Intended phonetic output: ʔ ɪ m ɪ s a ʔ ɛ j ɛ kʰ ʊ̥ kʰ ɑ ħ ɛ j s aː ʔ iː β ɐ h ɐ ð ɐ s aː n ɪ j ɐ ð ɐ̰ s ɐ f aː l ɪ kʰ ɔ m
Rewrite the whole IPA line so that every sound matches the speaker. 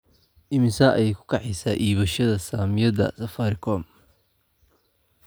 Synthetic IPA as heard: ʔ ɪ m ɪ s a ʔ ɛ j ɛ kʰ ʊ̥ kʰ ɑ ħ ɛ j s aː ʔ iː β ɐ ʃ ɐ ð ɐ s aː m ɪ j ɐ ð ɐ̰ s ɐ f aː ɾ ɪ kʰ ɔ m